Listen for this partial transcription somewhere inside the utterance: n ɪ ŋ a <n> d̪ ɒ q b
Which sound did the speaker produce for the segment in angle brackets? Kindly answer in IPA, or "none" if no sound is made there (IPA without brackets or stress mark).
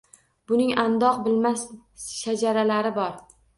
n